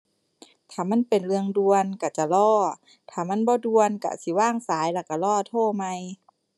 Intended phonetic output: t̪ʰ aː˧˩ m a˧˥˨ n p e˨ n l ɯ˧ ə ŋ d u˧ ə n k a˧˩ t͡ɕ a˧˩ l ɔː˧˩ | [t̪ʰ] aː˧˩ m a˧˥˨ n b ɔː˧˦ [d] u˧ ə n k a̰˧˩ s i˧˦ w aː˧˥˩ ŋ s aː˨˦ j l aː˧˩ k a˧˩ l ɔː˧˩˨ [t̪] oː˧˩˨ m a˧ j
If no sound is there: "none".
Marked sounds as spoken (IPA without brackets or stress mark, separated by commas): t̪ʰ, d, t̪ʰ